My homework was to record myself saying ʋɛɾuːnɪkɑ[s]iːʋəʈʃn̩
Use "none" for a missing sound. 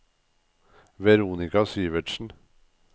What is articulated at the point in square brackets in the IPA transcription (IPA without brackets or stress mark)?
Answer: s